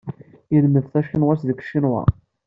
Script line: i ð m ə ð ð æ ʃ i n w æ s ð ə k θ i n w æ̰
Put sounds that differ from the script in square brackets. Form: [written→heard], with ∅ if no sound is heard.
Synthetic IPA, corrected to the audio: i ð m ə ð [ð→θ] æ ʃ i n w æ s ð ə k [θ→ʃ] i n w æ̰

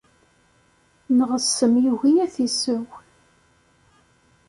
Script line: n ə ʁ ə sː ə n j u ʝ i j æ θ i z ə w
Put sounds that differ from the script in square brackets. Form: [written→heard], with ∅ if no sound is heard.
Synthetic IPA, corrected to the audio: n ə ʁ ə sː ə [n→m] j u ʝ i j æ θ i [z→s] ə w

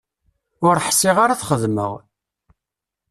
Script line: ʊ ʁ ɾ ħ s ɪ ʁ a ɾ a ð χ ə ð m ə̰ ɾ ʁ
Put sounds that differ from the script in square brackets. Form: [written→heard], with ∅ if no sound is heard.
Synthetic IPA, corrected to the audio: ʊ [ʁ→∅] ɾ ħ s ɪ ʁ a ɾ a [ð→θ] χ ə ð m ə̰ [ɾ→∅] ʁ

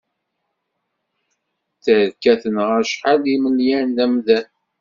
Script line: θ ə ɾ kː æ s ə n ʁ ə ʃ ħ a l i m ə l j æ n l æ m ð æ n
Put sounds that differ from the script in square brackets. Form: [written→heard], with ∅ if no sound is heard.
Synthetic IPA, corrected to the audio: θ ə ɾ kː æ [s→θ] ə n ʁ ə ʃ ħ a l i m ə l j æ n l æ m ð æ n

